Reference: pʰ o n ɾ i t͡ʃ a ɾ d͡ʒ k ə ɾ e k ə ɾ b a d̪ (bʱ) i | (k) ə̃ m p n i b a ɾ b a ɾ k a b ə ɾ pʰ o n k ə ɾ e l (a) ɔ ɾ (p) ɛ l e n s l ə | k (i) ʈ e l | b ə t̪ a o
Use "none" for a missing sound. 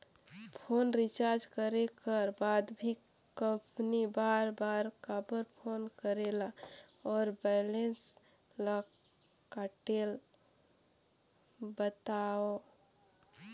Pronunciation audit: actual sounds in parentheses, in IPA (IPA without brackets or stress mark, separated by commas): bʱ, k, a, b, a